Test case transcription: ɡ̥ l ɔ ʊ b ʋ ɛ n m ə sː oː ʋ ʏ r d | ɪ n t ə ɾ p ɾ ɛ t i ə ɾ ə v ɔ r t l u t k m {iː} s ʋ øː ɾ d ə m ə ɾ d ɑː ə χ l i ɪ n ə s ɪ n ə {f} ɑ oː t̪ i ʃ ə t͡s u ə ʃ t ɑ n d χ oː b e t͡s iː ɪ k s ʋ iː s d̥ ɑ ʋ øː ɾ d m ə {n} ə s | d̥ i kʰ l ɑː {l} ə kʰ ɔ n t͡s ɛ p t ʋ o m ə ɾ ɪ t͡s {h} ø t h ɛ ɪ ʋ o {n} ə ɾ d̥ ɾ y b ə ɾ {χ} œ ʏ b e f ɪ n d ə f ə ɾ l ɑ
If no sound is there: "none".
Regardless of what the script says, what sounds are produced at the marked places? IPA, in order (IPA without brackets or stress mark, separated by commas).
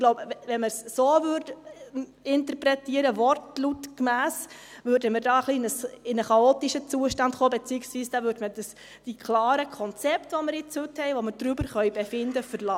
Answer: æː, χ, d, ɾ, h, m, χ